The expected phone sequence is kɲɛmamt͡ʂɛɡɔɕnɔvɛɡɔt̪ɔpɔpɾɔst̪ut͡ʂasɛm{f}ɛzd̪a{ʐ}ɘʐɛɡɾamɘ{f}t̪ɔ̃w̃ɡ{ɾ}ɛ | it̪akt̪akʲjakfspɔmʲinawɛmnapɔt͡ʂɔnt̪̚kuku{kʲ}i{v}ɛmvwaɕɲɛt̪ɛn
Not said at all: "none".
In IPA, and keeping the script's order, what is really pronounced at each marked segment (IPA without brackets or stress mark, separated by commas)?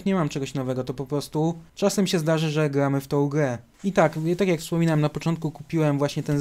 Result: ɕ, ʐ, f, ɾ, pʲ, w